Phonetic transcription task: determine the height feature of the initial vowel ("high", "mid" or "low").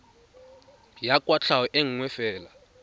low